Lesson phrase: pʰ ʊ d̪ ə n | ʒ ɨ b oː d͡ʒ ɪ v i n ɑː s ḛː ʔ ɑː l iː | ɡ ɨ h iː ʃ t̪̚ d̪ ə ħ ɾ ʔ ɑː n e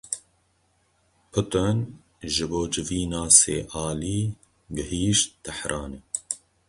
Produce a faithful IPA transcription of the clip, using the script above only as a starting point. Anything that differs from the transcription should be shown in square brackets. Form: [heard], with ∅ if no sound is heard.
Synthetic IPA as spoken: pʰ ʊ [t̪] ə n | ʒ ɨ b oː d͡ʒ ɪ v [iː] n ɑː s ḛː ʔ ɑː l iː | ɡ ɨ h iː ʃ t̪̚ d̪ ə ħ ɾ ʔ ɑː n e